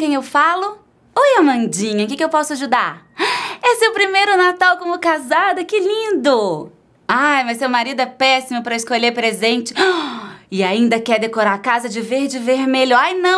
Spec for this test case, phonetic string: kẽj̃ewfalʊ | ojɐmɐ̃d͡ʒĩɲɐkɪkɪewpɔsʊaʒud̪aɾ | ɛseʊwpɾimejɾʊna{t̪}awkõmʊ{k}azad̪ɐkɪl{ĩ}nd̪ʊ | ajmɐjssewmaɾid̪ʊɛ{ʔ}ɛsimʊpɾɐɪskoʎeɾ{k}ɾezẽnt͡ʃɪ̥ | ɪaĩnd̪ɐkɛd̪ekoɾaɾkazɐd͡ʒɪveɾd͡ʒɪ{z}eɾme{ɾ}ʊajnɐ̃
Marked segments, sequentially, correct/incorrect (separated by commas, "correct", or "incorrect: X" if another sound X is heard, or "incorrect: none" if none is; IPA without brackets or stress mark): correct, correct, correct, incorrect: p, incorrect: p, incorrect: v, incorrect: ʎ